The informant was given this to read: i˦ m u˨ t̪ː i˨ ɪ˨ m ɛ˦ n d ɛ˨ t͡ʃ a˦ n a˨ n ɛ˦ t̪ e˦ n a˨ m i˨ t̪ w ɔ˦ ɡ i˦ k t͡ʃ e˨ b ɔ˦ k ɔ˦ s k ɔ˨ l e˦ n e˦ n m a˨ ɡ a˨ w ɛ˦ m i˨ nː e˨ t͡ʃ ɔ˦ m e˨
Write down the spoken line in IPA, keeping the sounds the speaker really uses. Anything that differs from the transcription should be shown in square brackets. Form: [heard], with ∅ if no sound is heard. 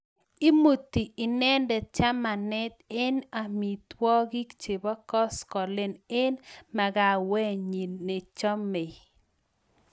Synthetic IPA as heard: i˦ m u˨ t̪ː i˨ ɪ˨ [n] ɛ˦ n d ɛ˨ t͡ʃ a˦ [m] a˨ n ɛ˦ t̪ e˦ n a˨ m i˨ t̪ w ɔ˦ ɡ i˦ k t͡ʃ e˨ b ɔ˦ k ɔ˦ s k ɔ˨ l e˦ n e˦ n m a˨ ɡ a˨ w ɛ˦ [ɲ] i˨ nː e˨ t͡ʃ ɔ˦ m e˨